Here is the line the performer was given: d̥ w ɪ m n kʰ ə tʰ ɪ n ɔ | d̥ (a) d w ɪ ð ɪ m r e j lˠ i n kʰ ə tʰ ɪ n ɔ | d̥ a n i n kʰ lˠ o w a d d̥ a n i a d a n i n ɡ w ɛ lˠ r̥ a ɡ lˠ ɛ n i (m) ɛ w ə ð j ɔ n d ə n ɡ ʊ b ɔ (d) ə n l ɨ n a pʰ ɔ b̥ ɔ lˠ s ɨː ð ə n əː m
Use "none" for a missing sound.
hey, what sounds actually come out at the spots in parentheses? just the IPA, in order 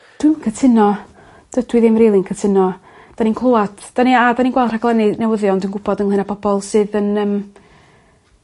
ə, n, d

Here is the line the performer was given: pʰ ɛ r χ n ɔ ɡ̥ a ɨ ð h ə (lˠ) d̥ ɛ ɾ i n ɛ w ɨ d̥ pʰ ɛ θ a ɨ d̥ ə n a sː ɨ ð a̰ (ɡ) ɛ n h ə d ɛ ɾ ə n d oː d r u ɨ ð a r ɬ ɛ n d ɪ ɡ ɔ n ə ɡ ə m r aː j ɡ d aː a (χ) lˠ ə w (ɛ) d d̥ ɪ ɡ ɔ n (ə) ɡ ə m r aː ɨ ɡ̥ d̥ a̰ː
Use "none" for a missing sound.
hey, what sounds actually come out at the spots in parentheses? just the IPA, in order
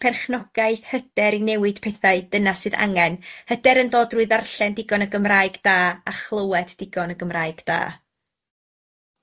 none, ŋ, χ, ɛ, ə

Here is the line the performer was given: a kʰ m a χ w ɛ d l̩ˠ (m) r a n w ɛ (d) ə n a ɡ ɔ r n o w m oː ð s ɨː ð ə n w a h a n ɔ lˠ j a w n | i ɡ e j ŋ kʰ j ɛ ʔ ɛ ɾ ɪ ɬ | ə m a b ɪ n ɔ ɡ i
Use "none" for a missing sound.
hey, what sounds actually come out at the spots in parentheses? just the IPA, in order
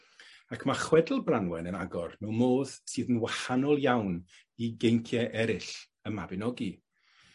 b, n

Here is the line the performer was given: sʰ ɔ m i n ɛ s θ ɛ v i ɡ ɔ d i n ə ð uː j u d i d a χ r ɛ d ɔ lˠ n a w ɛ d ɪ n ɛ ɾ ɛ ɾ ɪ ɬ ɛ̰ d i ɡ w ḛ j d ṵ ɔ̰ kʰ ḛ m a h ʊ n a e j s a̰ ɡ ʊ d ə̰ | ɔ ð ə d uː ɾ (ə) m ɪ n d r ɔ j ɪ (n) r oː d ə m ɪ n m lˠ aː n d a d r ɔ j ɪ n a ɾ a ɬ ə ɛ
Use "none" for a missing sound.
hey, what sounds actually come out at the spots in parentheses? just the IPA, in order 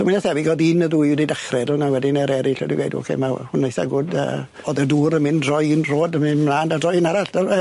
ə, n

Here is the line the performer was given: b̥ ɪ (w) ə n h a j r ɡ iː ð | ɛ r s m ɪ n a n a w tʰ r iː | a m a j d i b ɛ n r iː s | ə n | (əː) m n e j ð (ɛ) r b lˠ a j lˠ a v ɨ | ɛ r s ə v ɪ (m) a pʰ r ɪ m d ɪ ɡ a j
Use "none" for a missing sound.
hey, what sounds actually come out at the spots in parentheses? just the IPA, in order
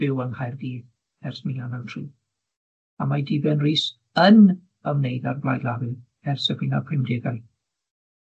w, ə, a, n

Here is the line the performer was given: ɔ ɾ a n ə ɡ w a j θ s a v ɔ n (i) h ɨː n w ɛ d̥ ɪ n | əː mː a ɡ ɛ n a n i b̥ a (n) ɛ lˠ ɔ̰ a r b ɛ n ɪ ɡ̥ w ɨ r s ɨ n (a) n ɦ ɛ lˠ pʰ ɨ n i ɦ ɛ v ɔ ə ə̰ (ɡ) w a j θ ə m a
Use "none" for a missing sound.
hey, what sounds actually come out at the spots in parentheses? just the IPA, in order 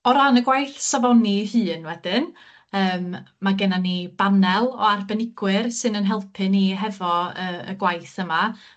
i, n, ə, ɡ

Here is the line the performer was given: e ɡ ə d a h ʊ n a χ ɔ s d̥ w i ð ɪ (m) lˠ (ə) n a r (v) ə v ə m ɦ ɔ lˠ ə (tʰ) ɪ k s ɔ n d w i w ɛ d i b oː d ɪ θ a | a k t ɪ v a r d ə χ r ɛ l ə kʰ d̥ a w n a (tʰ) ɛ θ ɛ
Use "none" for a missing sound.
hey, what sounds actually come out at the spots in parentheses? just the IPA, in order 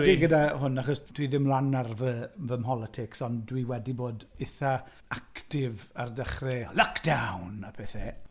m, a, v, tʰ, pʰ

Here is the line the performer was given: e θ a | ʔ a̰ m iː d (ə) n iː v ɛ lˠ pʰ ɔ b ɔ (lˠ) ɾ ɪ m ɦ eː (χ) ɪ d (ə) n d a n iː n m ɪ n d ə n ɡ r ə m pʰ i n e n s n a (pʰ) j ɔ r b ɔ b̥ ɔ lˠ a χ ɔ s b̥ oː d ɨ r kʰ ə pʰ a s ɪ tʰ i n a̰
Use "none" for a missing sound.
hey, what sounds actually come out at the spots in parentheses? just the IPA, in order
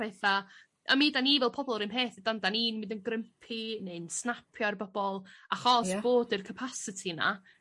a, lˠ, θ, a, pʰ

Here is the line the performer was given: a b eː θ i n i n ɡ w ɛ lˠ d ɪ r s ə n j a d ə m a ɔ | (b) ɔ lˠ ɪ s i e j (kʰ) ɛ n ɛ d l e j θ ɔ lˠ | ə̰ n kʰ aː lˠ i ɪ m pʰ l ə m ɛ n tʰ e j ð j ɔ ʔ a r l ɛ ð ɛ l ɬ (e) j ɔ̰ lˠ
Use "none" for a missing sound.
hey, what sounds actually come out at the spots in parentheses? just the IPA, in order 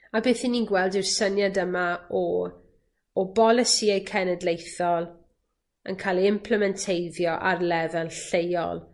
b, kʰ, e

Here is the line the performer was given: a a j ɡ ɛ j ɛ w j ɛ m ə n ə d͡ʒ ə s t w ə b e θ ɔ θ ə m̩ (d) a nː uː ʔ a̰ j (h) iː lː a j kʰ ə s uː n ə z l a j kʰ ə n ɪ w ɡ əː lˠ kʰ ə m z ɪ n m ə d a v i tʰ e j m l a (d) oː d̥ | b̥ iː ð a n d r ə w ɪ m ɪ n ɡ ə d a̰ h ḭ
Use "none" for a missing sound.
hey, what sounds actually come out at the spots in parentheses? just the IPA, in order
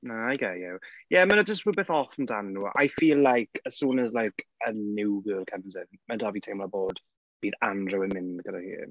d, f, b

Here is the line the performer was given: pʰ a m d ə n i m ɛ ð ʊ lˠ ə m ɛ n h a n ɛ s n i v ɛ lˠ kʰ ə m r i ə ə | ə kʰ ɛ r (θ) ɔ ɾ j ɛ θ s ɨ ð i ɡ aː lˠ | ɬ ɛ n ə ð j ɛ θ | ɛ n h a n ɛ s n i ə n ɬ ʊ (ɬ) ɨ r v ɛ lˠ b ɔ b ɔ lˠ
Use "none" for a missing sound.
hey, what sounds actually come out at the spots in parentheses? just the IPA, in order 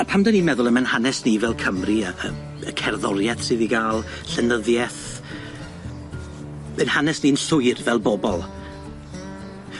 ð, none

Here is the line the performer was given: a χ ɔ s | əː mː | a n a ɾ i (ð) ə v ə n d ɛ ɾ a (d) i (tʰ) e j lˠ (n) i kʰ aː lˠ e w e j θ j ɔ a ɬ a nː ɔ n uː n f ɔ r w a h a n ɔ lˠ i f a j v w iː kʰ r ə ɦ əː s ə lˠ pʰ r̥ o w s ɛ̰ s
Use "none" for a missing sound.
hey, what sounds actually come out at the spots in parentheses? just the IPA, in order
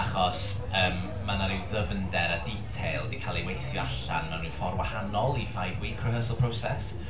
ð, d, tʰ, d

